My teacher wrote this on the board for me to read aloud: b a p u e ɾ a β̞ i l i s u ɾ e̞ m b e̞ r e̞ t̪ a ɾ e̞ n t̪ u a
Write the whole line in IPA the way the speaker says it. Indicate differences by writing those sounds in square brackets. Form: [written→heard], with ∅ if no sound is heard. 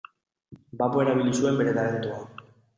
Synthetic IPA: b a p [u→o] e ɾ a β̞ i l i s u [ɾ→∅] e̞ m b e̞ [r→ɾ] e̞ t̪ a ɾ e̞ n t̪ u a